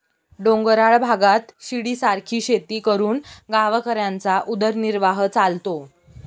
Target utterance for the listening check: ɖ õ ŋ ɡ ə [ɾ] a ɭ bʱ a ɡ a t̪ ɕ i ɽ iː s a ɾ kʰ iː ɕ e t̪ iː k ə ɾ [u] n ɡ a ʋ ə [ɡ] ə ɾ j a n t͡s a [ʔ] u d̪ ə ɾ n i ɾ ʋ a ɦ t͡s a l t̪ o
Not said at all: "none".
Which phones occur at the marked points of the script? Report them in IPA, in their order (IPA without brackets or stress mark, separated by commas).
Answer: ɾ, uː, k, ʔ